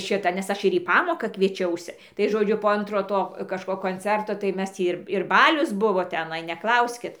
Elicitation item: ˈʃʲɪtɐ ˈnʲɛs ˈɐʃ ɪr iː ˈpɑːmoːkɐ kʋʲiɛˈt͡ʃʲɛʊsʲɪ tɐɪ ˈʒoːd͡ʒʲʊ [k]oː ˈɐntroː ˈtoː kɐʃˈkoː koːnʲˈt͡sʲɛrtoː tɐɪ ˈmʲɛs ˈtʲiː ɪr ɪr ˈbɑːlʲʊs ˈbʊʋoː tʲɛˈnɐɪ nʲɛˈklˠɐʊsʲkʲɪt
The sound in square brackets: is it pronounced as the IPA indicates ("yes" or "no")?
no